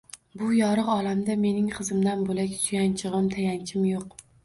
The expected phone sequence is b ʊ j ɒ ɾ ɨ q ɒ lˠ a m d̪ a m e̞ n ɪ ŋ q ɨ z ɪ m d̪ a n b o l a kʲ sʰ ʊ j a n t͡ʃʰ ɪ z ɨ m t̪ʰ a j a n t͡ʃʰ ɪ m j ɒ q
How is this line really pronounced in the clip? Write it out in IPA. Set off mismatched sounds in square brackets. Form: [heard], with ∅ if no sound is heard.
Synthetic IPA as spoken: b ʊ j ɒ ɾ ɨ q ɒ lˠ a m d̪ a m e̞ n ɪ ŋ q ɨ z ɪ m d̪ a n b o l a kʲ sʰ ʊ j a n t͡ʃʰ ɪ [ʁ] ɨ m t̪ʰ a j a n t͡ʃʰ ɪ m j [o] q